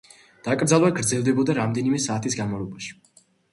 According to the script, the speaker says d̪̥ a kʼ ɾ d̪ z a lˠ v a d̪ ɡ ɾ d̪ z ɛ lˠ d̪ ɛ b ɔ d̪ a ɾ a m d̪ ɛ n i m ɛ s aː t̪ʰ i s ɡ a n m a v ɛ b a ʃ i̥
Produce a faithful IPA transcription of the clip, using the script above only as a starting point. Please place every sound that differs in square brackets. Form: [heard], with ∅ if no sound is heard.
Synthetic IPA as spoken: d̪̥ a kʼ ɾ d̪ z a lˠ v a [∅] ɡ ɾ d̪ z ɛ lˠ d̪ ɛ b ɔ d̪ a ɾ a m d̪ ɛ n i m ɛ s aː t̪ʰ i s ɡ a n m a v ɛ b a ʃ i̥

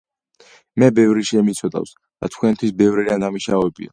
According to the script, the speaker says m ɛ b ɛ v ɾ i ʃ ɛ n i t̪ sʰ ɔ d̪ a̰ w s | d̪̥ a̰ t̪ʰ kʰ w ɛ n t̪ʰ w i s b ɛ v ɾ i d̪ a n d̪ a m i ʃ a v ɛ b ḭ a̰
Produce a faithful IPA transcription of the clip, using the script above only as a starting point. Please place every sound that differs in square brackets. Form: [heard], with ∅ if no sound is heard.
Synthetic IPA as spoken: m ɛ b ɛ v ɾ i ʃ ɛ [m] i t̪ sʰ ɔ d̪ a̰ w s | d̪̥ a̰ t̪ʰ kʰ w ɛ n t̪ʰ w i s b ɛ v ɾ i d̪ a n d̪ a m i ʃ a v ɛ b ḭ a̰

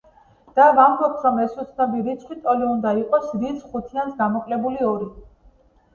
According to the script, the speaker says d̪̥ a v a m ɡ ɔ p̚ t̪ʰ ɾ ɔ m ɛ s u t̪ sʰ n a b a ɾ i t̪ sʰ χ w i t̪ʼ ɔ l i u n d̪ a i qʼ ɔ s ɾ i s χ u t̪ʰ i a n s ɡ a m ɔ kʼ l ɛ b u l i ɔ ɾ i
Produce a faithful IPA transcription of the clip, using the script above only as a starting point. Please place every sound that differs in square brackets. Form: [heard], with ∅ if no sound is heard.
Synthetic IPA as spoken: d̪̥ a v a m [b] ɔ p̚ t̪ʰ ɾ ɔ m ɛ s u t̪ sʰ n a b [i] ɾ i t̪ sʰ χ w i t̪ʼ ɔ l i u n d̪ a i qʼ ɔ s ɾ i s χ u t̪ʰ i a n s ɡ a m ɔ kʼ l ɛ b u l i ɔ ɾ i

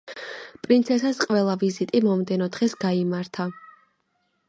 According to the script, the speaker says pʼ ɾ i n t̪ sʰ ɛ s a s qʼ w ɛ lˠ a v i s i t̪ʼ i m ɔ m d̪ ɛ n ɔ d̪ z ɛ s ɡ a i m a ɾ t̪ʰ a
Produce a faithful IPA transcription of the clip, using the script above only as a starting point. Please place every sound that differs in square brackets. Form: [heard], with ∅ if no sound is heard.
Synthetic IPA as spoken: pʼ ɾ i n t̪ sʰ ɛ s a s qʼ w ɛ lˠ a v i [z] i t̪ʼ i m ɔ m d̪ ɛ n ɔ d̪ [ʁ] ɛ s ɡ a i m a ɾ t̪ʰ a

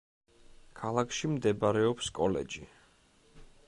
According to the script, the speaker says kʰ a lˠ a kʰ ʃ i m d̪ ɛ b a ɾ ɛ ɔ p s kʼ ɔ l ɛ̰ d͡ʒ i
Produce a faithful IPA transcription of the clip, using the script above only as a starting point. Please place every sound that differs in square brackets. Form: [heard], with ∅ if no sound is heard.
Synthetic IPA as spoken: kʰ a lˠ a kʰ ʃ i m d̪ ɛ b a ɾ ɛ ɔ p s kʼ ɔ l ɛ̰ d͡ʒ i

